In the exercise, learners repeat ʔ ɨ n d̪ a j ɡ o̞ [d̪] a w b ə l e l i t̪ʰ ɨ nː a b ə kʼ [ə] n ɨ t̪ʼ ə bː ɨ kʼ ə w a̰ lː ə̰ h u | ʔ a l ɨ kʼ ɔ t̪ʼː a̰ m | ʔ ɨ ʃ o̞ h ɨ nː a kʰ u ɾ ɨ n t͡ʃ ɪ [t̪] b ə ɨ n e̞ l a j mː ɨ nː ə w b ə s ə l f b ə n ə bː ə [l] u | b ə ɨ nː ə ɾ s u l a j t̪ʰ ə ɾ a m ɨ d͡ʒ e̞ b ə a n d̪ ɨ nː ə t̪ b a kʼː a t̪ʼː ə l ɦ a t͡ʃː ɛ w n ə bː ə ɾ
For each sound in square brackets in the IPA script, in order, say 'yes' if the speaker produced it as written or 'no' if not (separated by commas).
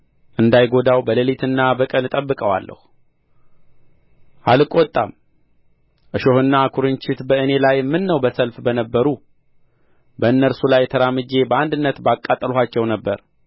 yes, yes, yes, no